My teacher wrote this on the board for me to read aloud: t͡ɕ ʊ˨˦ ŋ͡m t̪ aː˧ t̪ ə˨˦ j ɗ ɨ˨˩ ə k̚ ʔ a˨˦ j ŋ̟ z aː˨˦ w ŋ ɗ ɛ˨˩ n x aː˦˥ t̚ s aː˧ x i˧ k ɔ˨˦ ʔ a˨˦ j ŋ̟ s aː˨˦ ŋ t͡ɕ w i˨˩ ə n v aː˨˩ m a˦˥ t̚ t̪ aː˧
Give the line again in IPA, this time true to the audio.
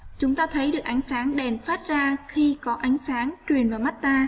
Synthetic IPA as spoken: t͡ɕ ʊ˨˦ ŋ͡m t̪ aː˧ t̪ʰ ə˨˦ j ɗ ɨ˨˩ ə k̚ ʔ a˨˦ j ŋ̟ s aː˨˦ ŋ ɗ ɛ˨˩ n f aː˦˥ t̚ z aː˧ x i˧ k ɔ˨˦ ʔ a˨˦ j ŋ̟ s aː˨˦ ŋ t͡ɕ w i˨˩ ə n v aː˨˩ m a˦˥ t̚ t̪ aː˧